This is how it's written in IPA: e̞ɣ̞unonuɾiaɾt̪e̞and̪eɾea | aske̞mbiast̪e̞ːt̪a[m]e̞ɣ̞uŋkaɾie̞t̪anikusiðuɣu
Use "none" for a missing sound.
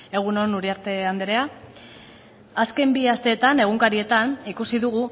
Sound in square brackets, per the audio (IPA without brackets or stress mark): n